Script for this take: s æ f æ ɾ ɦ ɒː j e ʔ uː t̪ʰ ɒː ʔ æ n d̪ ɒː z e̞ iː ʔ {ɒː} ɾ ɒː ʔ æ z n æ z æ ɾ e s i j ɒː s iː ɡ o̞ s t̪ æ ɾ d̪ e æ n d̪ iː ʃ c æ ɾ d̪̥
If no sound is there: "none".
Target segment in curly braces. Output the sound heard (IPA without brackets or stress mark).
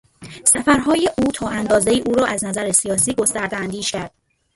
uː